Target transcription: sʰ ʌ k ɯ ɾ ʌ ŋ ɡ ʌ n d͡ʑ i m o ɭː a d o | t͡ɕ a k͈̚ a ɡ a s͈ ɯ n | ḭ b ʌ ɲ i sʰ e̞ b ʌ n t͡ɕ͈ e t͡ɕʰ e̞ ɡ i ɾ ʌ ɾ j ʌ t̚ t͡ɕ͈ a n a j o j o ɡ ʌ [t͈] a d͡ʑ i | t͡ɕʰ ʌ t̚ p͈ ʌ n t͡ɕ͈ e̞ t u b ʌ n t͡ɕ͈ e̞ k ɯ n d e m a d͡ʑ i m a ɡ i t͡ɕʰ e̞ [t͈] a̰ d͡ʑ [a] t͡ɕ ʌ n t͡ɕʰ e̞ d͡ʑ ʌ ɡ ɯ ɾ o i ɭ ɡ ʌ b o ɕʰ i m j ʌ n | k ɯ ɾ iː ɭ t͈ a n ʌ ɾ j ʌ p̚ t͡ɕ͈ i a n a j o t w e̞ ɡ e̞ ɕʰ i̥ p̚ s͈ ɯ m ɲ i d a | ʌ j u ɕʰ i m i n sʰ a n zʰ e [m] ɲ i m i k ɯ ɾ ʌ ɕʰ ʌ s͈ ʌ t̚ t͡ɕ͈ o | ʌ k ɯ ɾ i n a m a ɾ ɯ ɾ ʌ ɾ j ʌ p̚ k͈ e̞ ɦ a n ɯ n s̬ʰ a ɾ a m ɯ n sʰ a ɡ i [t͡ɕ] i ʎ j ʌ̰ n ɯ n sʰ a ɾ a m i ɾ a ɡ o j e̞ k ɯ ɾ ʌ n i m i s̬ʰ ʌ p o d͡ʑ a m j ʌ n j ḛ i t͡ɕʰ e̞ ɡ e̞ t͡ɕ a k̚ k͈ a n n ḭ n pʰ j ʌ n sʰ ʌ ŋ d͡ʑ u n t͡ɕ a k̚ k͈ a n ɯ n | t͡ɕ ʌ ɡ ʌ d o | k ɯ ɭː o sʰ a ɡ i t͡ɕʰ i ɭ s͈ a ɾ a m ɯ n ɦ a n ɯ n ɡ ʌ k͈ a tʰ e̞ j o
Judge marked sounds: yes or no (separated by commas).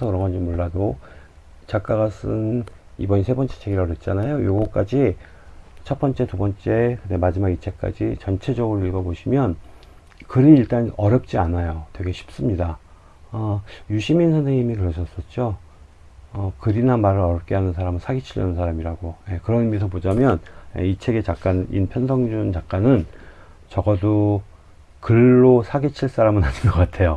no, no, no, no, no